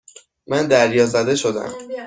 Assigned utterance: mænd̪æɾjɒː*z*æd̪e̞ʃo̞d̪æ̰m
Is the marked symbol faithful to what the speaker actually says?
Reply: yes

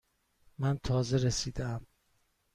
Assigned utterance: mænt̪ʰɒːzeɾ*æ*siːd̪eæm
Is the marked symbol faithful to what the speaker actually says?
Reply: no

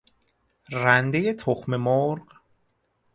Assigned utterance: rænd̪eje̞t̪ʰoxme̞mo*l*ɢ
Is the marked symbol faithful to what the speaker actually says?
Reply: no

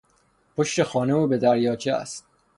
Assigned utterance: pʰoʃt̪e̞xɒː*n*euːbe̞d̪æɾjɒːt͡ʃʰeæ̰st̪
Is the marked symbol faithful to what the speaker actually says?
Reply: yes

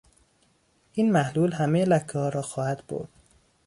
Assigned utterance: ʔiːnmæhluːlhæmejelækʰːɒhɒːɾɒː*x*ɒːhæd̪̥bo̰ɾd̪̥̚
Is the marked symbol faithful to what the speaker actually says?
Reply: yes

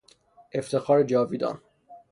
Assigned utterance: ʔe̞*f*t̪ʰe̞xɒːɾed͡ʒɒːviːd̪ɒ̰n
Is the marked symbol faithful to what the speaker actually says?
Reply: yes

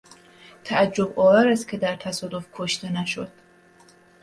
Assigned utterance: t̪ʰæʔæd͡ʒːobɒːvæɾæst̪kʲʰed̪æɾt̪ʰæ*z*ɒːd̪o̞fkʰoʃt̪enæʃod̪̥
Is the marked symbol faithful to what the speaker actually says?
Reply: no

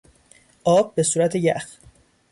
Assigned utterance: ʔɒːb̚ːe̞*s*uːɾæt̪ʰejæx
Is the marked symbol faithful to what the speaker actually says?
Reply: yes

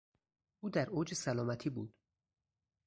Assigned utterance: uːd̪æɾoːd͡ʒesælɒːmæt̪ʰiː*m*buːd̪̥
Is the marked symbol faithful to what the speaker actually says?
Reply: no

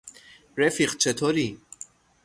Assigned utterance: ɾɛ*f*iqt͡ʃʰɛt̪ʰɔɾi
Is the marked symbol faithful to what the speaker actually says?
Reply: yes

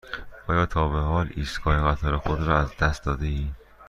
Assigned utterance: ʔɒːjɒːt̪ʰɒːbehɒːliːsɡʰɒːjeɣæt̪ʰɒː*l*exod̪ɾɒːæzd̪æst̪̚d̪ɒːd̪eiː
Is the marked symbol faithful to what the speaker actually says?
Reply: no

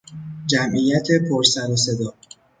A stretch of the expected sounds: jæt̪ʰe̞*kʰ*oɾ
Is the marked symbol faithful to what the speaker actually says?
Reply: no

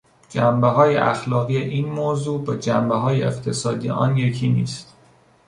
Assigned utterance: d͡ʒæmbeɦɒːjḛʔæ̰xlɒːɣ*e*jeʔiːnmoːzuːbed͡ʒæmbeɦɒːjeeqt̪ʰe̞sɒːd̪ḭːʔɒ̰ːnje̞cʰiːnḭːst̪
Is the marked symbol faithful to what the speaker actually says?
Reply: no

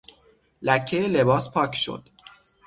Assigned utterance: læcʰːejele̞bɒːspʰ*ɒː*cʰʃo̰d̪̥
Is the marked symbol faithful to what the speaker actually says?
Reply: yes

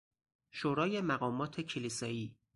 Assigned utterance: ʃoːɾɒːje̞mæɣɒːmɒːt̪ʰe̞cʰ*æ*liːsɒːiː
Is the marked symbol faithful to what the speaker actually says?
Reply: no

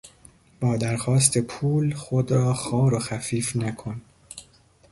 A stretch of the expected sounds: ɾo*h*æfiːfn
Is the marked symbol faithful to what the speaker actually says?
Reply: no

